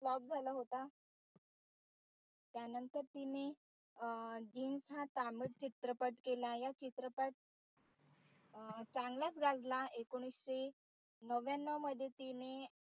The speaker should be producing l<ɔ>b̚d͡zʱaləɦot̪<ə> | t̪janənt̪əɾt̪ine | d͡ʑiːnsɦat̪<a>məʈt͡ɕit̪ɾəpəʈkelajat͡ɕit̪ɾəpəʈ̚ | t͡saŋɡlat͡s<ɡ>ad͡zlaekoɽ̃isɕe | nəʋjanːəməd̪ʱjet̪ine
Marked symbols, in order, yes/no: yes, no, yes, yes

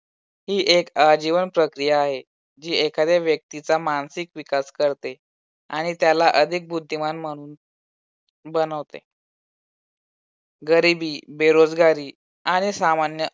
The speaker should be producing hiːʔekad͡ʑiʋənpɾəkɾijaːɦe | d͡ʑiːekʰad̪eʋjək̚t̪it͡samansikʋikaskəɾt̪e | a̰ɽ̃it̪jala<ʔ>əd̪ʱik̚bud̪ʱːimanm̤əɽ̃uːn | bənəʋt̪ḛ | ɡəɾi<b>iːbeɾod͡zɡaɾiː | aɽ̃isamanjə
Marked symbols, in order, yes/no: yes, yes

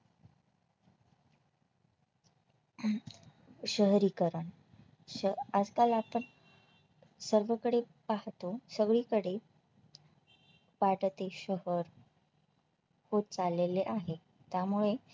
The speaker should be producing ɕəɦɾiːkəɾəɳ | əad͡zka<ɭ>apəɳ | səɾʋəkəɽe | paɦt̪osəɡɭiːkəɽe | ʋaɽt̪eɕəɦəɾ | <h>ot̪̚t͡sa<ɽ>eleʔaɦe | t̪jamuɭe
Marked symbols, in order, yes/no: no, yes, no

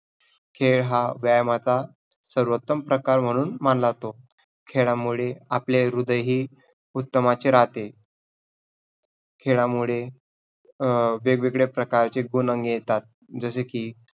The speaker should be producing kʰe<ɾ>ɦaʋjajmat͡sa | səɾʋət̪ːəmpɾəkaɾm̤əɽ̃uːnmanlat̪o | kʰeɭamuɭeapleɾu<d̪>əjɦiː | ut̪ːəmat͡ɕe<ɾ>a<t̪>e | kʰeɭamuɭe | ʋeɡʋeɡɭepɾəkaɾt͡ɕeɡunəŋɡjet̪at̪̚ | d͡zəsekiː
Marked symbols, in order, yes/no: no, yes, yes, yes

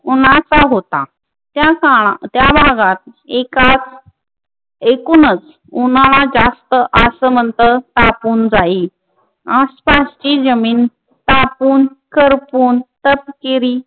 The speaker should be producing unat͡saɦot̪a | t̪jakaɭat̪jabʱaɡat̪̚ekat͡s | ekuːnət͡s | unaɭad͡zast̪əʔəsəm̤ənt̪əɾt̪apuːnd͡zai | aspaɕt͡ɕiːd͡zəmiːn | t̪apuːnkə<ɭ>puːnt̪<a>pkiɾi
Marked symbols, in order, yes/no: no, no

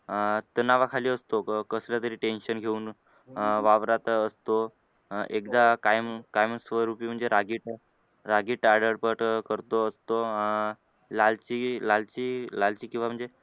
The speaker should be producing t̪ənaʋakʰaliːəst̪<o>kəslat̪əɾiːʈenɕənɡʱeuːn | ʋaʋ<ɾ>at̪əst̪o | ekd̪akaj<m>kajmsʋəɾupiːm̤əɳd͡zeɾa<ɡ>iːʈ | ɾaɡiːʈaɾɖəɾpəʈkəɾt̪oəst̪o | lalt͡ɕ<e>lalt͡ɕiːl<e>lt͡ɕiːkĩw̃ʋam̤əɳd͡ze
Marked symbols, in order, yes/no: yes, yes, yes, yes, no, no

